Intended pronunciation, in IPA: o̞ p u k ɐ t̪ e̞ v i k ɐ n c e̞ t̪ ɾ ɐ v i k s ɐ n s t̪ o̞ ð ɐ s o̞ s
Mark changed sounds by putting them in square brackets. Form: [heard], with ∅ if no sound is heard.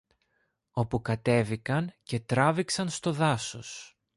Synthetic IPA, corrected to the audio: o̞ p u k ɐ t̪ e̞ v i k ɐ n c e̞ t̪ ɾ ɐ v i k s ɐ n s t̪ o̞ ð ɐ s o̞ s